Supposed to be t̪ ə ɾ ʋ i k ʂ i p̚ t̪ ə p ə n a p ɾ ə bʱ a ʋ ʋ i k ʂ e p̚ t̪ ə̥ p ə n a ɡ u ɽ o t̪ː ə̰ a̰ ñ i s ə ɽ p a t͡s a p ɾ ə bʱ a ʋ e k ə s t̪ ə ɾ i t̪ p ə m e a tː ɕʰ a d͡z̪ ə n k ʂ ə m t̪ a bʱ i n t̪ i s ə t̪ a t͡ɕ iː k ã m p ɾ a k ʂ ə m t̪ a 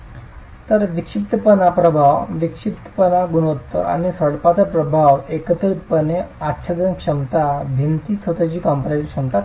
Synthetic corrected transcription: t̪ ə ɾ ʋ i k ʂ i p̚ t̪ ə p ə n a p ɾ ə bʱ a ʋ ʋ i k ʂ i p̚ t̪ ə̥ p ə n a ɡ u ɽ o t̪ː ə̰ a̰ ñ i s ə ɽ p a t͡s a p ɾ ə bʱ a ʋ e k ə t̪ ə ɾ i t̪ p ə n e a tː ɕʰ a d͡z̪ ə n k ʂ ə m t̪ a bʱ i n t̪ i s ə t̪ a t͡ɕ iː k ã m p ɾ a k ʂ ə m t̪ a